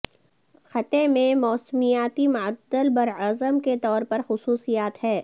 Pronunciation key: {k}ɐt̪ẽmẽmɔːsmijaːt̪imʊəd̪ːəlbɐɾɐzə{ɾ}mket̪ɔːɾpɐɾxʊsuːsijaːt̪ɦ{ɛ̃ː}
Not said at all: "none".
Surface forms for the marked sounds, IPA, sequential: x, none, ɛː

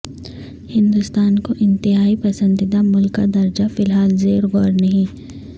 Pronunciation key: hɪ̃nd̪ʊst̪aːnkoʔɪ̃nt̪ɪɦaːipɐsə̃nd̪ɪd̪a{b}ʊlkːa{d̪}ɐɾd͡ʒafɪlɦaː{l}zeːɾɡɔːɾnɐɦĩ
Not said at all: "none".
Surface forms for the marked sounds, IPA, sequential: m, d̪, l

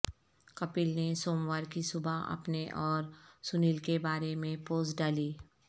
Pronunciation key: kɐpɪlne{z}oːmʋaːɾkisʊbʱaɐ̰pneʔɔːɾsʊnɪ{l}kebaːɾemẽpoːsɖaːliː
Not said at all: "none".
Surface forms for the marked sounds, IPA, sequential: s, l

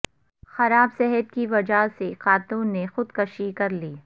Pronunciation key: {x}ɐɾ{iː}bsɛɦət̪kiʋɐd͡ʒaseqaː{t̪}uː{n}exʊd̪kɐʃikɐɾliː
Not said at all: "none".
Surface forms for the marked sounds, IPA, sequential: x, aː, t̪, nː

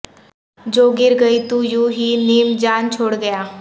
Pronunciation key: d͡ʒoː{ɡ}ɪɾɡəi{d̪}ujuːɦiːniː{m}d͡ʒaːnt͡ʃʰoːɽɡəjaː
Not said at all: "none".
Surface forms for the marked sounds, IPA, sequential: ɡ, t̪, m

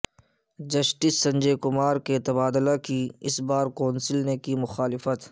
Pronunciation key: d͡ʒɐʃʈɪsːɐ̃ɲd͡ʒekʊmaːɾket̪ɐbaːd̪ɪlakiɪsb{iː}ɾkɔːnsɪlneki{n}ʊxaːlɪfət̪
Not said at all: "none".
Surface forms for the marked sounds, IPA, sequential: aː, m

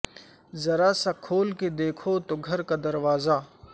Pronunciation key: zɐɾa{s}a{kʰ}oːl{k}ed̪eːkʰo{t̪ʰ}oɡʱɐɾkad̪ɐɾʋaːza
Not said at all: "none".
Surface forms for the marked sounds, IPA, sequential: s, kʰ, k, t̪

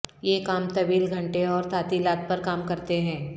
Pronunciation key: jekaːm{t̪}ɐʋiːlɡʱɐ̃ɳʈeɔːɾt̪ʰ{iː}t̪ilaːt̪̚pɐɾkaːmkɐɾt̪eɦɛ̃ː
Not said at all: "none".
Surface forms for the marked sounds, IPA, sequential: t̪, aː

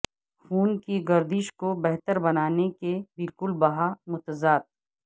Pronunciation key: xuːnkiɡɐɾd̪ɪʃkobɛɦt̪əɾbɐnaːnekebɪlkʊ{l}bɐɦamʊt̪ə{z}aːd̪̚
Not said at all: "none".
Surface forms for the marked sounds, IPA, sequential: l, z

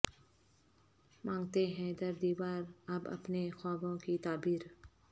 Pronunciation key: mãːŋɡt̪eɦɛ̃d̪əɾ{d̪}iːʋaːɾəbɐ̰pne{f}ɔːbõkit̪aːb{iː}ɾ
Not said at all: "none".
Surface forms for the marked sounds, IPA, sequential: d̪, x, iː

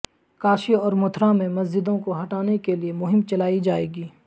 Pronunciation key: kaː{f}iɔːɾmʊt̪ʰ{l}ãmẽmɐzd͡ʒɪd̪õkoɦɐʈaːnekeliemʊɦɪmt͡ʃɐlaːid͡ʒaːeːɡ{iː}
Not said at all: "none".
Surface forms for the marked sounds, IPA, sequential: ʃ, ɾ, iː

